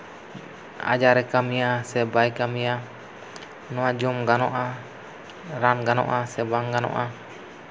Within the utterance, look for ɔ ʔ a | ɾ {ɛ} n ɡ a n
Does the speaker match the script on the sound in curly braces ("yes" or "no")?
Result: no